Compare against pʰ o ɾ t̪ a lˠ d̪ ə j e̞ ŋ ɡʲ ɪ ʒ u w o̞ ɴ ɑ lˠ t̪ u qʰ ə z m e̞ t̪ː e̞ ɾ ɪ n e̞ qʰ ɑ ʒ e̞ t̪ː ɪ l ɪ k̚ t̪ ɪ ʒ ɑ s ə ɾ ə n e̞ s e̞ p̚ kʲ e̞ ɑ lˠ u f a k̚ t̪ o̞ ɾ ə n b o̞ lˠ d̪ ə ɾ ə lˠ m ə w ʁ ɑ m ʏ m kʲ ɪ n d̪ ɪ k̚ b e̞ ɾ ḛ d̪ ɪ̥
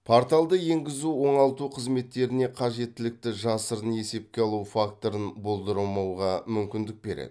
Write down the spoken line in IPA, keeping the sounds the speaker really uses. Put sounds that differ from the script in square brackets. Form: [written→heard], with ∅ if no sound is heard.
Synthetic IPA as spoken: pʰ o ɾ t̪ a lˠ d̪ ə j e̞ ŋ ɡʲ ɪ [ʒ→z] u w o̞ ɴ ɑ lˠ t̪ u qʰ ə z m e̞ t̪ː e̞ ɾ ɪ n e̞ qʰ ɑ ʒ e̞ t̪ː ɪ l ɪ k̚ t̪ ɪ ʒ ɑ s ə ɾ ə n e̞ s e̞ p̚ kʲ e̞ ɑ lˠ u f a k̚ t̪ o̞ ɾ ə n b o̞ lˠ d̪ ə ɾ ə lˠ m [ə→ɑ] w ʁ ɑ m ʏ m kʲ ɪ n d̪ ɪ k̚ b e̞ ɾ ḛ d̪ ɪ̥

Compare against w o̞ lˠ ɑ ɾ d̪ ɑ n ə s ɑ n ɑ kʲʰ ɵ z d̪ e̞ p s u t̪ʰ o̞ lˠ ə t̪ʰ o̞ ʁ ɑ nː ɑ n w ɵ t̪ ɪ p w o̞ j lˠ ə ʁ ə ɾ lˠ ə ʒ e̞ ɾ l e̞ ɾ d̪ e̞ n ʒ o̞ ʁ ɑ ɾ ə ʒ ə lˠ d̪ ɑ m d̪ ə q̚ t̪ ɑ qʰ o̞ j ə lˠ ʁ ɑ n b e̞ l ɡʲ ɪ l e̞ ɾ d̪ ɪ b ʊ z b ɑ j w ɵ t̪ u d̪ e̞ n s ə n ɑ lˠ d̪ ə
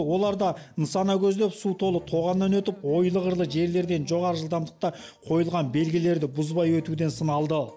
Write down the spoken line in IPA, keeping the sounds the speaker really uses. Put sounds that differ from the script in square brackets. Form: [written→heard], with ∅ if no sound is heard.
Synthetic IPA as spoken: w o̞ lˠ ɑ ɾ d̪ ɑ n ə s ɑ n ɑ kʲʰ ɵ z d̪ e̞ p s u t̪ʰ o̞ lˠ ə t̪ʰ o̞ ʁ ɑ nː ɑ n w ɵ t̪ ɪ p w o̞ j lˠ ə ʁ ə ɾ lˠ ə ʒ e̞ ɾ l e̞ ɾ d̪ e̞ n ʒ o̞ ʁ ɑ ɾ ə ʒ ə lˠ d̪ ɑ m d̪ ə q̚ t̪ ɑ qʰ o̞ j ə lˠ ʁ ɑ n b e̞ l ɡʲ ɪ l e̞ ɾ d̪ ɪ b ʊ z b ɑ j w ɵ t̪ u d̪ e̞ n s ə n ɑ lˠ d̪ ə

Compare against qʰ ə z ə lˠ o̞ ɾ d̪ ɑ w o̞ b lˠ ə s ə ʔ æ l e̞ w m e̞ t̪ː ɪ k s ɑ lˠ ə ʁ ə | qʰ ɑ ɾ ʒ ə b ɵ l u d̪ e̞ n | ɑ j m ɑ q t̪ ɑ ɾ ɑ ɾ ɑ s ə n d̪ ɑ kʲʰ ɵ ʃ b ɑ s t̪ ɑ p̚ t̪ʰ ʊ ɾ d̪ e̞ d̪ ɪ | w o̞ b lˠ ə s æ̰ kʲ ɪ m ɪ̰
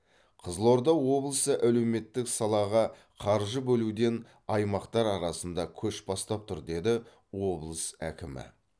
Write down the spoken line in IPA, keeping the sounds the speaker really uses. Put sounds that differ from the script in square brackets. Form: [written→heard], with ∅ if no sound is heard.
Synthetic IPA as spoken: qʰ ə z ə lˠ o̞ ɾ d̪ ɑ w o̞ b lˠ ə s ə ʔ æ l e̞ w m e̞ t̪ː ɪ k s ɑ lˠ [ə→ɑ] ʁ [ə→ɑ] | qʰ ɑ ɾ ʒ ə b ɵ l u d̪ e̞ n | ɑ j m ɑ q t̪ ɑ ɾ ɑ ɾ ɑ s ə n d̪ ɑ kʲʰ ɵ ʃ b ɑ s t̪ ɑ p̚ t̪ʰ ʊ ɾ d̪ e̞ d̪ ɪ | w o̞ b lˠ ə s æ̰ kʲ ɪ m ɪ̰

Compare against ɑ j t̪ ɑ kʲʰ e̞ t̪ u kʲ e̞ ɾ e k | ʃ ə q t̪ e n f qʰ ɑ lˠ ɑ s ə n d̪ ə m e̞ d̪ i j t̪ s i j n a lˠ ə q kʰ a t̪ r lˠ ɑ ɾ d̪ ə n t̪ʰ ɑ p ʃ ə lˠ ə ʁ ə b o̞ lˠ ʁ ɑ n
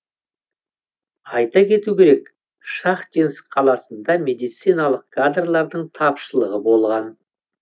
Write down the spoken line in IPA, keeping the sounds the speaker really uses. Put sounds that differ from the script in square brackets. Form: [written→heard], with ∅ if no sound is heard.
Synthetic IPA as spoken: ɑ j t̪ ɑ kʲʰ e̞ t̪ u kʲ e̞ ɾ e k | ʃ [ə→ɑ] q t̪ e n [f→s] qʰ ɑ lˠ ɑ s ə n d̪ [ə→ɑ] m e̞ d̪ i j t̪ s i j n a lˠ ə q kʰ a [t̪→d̪] r lˠ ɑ ɾ d̪ ə [n→ɴ] t̪ʰ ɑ p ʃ ə lˠ ə ʁ ə b o̞ lˠ ʁ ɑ n

